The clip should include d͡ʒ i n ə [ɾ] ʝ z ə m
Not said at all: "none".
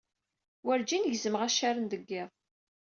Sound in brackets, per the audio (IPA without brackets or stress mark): none